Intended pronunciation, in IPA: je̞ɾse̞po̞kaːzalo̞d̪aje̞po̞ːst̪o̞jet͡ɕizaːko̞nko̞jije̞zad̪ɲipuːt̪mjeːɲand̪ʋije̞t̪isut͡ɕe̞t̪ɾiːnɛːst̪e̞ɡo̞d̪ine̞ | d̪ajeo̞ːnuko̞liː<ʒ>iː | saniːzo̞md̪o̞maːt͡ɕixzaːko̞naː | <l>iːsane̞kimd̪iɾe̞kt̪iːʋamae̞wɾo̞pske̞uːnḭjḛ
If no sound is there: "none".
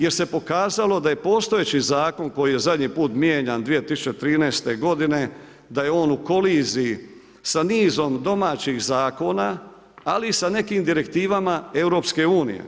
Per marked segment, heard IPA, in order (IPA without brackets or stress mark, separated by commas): z, l